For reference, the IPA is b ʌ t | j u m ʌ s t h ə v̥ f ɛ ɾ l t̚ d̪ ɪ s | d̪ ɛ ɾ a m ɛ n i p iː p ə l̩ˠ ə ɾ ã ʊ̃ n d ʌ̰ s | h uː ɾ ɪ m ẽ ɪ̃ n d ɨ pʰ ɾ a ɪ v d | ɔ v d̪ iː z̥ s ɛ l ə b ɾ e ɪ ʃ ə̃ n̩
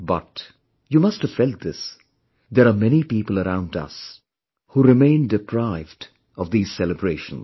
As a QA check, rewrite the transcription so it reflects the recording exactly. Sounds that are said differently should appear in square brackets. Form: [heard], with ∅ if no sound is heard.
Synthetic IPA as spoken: b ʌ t | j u m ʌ s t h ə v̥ f ɛ [∅] l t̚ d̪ ɪ s | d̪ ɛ ɾ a m ɛ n i p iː p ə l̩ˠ ə ɾ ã ʊ̃ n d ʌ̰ s | h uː ɾ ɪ m ẽ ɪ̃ n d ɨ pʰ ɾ a ɪ v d | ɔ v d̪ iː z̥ s ɛ l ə b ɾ e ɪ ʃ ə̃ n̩